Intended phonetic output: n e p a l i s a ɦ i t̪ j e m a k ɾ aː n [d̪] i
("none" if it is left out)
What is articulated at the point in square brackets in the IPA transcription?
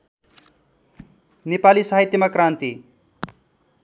t̪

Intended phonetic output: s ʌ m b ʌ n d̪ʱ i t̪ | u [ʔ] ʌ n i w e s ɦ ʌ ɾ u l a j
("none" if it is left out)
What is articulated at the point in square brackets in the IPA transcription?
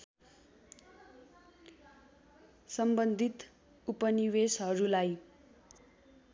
p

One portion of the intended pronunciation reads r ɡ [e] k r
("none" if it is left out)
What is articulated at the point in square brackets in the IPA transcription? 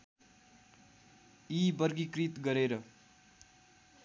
i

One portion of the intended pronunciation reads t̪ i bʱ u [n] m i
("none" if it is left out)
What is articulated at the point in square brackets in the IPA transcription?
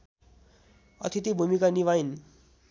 none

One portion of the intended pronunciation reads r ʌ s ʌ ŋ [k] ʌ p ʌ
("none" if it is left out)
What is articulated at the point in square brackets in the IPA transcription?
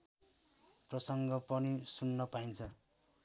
ɡ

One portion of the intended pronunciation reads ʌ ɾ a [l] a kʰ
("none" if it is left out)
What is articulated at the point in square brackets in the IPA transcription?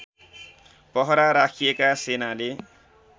ɾ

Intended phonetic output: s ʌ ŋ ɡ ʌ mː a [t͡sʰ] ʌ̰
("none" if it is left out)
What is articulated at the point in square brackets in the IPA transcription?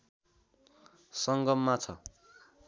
t͡sʰ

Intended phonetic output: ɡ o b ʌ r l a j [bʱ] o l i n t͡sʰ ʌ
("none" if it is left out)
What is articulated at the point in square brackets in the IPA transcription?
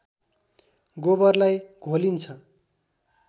ɡʱ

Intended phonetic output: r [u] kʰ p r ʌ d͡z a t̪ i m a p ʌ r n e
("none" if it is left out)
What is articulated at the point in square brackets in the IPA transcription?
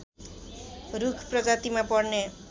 u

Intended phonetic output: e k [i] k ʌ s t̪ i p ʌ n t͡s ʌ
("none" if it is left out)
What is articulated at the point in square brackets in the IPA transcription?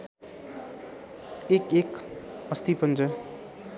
e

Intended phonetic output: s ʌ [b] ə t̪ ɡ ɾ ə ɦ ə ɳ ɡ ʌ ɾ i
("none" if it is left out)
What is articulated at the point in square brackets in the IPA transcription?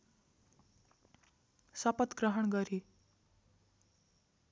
p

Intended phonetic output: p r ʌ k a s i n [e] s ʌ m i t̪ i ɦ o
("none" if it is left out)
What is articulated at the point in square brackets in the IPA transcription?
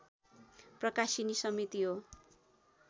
i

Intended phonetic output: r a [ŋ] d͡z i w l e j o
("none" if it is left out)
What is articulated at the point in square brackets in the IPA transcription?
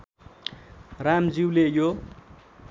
m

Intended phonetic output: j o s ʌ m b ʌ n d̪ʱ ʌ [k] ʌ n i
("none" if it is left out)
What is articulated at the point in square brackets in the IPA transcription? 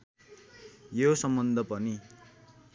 p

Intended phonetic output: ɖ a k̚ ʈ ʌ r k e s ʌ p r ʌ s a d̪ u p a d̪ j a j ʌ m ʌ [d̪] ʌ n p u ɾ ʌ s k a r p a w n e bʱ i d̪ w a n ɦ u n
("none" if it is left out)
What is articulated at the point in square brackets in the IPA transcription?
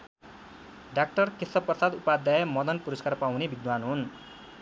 d̪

